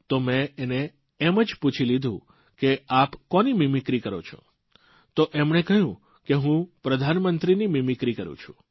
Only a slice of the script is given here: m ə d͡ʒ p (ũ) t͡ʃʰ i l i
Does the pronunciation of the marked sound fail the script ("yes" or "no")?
yes